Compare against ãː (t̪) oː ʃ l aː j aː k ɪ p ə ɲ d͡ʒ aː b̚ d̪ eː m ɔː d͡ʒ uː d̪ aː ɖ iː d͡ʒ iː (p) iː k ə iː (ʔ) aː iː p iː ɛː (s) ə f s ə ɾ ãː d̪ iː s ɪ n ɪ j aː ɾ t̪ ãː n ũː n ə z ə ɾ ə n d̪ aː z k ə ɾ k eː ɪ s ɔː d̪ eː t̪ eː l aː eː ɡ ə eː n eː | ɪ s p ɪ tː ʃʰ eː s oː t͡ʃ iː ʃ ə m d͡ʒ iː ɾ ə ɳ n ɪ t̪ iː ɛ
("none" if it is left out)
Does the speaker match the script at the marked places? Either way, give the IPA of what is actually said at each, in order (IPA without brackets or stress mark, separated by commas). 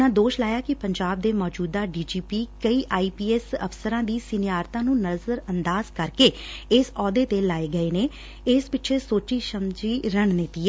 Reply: d̪, p, ʔ, s